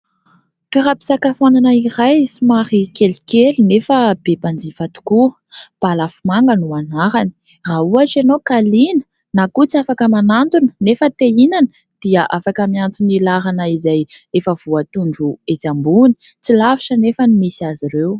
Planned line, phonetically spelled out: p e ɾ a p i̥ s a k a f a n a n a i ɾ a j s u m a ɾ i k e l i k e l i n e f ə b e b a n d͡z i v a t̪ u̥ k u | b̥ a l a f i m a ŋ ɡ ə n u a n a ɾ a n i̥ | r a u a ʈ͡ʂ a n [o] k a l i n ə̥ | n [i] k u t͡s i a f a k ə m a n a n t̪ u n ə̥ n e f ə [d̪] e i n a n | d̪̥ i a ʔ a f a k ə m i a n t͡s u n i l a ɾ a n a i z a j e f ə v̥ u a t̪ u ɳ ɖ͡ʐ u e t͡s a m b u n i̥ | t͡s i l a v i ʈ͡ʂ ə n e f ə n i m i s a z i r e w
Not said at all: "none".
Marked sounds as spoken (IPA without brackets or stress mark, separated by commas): o, a, t̪